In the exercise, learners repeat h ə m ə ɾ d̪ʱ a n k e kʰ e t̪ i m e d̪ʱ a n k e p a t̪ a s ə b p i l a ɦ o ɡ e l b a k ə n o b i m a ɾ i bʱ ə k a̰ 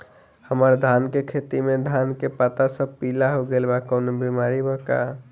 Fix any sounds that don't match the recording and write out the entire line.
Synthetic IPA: h ə m ə ɾ d̪ʱ a n k e kʰ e t̪ i m e d̪ʱ a n k e p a t̪ a s ə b p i l a ɦ o ɡ e l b a k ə n o b i m a ɾ i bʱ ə k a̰

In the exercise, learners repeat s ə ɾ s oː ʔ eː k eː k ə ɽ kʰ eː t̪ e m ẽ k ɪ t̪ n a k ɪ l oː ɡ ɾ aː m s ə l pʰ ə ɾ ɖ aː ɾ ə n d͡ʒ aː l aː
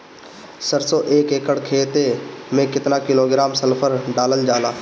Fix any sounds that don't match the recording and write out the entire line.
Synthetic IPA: s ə ɾ s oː ʔ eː k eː k ə ɽ kʰ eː t̪ e m ẽ k ɪ t̪ n a k ɪ l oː ɡ ɾ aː m s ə l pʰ ə ɾ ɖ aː l ə n d͡ʒ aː l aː

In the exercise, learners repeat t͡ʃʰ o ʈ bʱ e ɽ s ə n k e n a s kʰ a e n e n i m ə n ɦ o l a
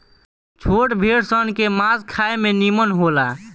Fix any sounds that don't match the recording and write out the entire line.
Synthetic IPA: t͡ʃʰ o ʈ bʱ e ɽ s ə n k e m a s kʰ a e m e n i m ə n ɦ o l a

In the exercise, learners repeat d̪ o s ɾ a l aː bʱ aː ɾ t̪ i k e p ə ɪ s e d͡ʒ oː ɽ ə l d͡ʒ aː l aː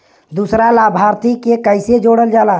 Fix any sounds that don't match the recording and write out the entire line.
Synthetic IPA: d̪ u s ɾ a l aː bʱ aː ɾ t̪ i k e k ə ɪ s e d͡ʒ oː ɽ ə l d͡ʒ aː l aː

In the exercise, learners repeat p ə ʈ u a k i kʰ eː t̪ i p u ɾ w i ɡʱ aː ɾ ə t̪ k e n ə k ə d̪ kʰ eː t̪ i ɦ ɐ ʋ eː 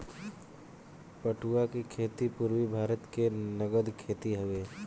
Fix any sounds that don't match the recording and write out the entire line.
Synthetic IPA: p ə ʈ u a k i kʰ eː t̪ i p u ɾ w i bʱ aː ɾ ə t̪ k e n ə ɡ ə d̪ kʰ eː t̪ i ɦ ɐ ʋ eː

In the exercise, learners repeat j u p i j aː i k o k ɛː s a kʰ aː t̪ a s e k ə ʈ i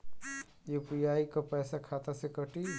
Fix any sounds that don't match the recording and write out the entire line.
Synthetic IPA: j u p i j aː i k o p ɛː s a kʰ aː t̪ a s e k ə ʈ i

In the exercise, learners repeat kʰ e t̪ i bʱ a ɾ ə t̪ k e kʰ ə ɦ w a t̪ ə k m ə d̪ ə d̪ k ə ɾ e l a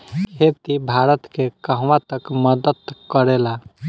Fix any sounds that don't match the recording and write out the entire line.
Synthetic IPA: kʰ e t̪ i bʱ a ɾ ə t̪ k e k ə ɦ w a t̪ ə k m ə d̪ ə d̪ k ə ɾ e l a

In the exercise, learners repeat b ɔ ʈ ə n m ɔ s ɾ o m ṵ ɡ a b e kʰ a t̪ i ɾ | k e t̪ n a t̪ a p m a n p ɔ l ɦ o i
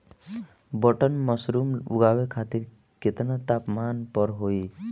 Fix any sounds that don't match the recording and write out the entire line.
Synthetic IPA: b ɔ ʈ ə n m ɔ s ɾ u m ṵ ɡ a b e kʰ a t̪ i ɾ | k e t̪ n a t̪ a p m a n p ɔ ɾ ɦ o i

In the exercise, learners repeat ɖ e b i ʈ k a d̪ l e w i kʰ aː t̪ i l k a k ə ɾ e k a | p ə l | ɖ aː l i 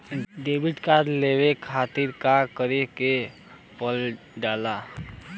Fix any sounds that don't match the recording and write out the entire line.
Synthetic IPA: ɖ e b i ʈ k a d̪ l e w e kʰ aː t̪ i ɾ k a k ə ɾ e k e | p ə l | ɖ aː l a

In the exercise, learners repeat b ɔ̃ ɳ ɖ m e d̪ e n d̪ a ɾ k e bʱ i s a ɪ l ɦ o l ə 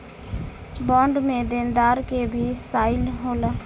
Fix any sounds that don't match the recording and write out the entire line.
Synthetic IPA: b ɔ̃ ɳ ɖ m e d̪ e n d̪ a ɾ k e bʱ i s a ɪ l ɦ o l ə

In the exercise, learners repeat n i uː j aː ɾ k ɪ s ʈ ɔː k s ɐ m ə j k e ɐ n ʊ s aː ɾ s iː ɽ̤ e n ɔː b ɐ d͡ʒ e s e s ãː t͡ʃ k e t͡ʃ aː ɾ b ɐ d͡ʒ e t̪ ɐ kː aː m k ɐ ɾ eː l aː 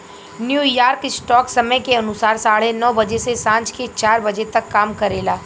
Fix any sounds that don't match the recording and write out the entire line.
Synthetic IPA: n j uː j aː ɾ k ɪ s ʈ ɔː k s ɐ m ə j k e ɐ n ʊ s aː ɾ s aː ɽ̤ e n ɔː b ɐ d͡ʒ e s e s ãː t͡ʃ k e t͡ʃ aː ɾ b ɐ d͡ʒ e t̪ ɐ kː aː m k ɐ ɾ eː l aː

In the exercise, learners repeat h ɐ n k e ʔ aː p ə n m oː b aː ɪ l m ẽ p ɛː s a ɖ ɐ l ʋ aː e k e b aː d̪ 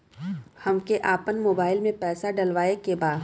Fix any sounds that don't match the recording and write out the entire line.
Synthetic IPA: h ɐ m k e ʔ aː p ə n m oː b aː ɪ l m ẽ p ɛː s a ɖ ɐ l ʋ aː e k e b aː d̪

